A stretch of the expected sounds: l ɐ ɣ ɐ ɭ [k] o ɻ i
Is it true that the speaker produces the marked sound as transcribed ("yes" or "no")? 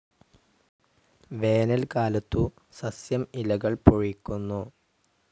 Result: no